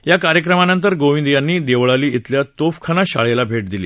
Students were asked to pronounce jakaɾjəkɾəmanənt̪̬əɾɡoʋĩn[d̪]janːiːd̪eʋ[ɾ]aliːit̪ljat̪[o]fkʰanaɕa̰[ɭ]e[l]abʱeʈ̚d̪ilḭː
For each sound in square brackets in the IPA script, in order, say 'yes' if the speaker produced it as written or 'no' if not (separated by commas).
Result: yes, no, yes, yes, yes